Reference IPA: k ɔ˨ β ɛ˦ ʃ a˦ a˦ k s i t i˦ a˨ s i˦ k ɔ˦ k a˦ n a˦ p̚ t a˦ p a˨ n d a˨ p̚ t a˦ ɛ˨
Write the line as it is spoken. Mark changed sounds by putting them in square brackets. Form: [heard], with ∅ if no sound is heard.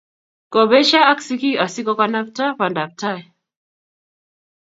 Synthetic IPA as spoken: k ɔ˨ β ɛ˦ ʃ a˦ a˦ k s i [k] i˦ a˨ s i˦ k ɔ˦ k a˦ n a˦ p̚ t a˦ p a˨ n d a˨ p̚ t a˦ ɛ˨